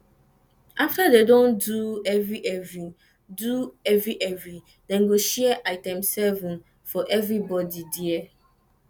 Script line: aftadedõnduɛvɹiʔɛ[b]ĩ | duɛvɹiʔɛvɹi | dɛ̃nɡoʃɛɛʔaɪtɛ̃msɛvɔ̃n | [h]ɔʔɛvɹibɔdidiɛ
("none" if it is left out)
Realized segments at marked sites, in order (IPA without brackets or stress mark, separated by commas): v, f